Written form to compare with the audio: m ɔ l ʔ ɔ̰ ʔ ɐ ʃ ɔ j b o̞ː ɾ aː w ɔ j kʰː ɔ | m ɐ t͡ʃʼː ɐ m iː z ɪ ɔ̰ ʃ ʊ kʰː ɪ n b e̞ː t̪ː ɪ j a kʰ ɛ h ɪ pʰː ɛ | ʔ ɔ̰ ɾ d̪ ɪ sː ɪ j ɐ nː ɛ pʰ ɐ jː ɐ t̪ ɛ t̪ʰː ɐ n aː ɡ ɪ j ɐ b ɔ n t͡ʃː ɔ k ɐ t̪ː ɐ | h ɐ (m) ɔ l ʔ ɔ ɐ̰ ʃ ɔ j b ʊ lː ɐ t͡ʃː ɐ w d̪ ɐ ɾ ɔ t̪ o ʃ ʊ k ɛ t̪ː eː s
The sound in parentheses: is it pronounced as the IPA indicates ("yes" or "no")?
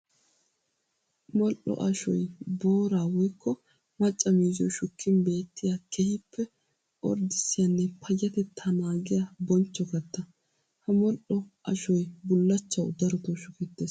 yes